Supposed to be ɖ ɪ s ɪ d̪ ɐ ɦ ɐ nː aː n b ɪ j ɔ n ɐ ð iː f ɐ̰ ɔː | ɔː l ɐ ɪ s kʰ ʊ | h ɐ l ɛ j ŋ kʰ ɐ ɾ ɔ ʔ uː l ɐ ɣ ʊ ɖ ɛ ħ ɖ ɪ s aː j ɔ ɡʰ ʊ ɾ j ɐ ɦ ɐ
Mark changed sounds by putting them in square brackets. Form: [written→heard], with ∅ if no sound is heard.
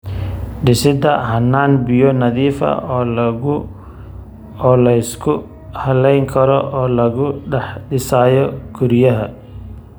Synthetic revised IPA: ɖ ɪ s ɪ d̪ ɐ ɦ ɐ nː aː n b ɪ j ɔ n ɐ ð iː f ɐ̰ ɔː | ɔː l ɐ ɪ s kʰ ʊ | h ɐ l ɛ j ŋ kʰ ɐ ɾ ɔ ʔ [uː→ɔː] l ɐ ɣ ʊ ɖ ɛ ħ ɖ ɪ s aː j ɔ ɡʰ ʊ ɾ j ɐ ɦ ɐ

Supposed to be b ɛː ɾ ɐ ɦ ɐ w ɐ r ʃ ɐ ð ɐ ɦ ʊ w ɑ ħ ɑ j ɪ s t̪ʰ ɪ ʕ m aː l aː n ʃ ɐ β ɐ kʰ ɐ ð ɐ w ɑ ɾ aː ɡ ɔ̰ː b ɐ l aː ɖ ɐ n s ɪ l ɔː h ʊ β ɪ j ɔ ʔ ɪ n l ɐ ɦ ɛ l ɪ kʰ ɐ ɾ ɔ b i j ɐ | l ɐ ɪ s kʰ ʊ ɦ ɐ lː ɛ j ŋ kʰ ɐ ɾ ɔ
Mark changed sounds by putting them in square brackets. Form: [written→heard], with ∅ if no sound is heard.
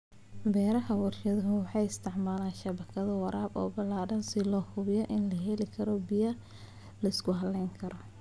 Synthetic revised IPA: b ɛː ɾ ɐ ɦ ɐ w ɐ r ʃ ɐ ð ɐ ɦ ʊ w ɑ ħ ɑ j ɪ s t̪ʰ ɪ ʕ m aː l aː n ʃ ɐ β ɐ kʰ ɐ ð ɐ w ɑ ɾ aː [ɡ→b] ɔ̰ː b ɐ l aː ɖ ɐ n s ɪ l ɔː h ʊ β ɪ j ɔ ʔ ɪ n l ɐ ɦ ɛ l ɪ kʰ ɐ ɾ ɔ b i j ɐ | l ɐ ɪ s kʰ ʊ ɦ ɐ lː ɛ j ŋ kʰ ɐ ɾ ɔ

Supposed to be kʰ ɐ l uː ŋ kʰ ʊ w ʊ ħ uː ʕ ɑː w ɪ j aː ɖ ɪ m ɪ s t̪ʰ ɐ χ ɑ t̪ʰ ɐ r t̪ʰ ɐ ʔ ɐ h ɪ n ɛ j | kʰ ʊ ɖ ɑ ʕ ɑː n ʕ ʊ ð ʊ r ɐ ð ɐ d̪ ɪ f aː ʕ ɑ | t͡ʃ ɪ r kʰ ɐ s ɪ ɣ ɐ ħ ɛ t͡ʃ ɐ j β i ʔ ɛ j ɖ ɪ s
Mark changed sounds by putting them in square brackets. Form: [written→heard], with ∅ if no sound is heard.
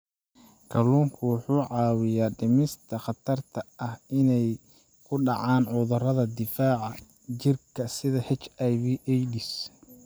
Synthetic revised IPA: kʰ ɐ l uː ŋ kʰ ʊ w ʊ ħ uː ʕ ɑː w ɪ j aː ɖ ɪ m ɪ s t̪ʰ ɐ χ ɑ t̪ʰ ɐ r t̪ʰ ɐ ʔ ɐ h ɪ n ɛ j | kʰ ʊ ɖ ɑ ʕ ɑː n ʕ ʊ ð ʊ r ɐ ð ɐ d̪ ɪ f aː ʕ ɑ | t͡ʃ ɪ r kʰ ɐ s ɪ [ɣ→ð] ɐ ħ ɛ t͡ʃ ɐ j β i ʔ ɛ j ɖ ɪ s

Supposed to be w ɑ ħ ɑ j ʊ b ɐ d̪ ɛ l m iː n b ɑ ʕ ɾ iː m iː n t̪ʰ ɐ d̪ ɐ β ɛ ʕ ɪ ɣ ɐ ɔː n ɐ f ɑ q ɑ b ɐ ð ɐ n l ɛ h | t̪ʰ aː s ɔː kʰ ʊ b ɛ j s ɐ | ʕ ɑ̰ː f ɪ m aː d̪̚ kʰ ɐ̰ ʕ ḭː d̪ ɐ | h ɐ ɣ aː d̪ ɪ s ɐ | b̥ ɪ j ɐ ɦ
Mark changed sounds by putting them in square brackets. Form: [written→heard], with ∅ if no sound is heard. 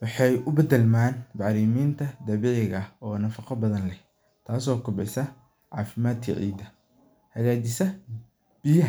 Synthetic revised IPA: w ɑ ħ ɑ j ʊ b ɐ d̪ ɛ l m [iː→aː] n b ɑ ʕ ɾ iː m iː n t̪ʰ ɐ d̪ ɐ β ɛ ʕ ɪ ɣ ɐ ɔː n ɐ f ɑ q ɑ b ɐ ð ɐ n l ɛ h | t̪ʰ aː s ɔː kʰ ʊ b ɛ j s ɐ | ʕ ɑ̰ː f ɪ m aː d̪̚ kʰ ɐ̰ ʕ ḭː d̪ ɐ | h ɐ ɣ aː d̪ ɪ s ɐ | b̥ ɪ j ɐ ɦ

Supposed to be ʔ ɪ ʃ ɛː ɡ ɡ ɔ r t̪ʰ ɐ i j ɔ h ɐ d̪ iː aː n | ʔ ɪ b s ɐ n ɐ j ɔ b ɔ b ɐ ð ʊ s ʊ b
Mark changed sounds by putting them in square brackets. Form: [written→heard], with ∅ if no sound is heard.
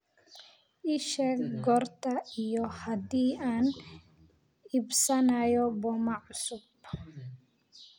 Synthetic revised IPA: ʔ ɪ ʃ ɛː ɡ ɡ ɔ r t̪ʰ ɐ i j ɔ h ɐ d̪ iː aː n | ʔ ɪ b s ɐ n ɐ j ɔ b ɔ [b→m] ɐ [ð→ʕ] ʊ s ʊ b

